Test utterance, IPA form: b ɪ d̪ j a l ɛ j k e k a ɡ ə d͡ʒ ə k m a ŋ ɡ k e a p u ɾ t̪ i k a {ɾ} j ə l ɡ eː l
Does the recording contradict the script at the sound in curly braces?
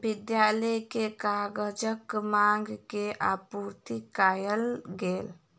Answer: yes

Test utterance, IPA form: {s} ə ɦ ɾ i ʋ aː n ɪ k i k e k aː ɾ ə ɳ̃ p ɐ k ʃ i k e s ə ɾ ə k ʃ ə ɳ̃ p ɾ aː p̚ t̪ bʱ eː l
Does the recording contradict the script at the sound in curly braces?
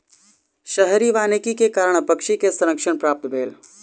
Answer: yes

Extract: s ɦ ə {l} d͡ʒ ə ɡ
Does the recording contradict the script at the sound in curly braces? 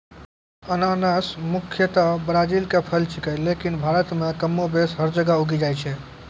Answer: yes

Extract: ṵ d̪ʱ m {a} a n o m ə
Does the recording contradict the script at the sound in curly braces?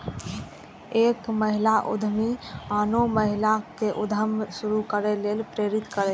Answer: yes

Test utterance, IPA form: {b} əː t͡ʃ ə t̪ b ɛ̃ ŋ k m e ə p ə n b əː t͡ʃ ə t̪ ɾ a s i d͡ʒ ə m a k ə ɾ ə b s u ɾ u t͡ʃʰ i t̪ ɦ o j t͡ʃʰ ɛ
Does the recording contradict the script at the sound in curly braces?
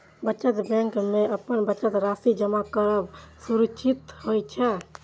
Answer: no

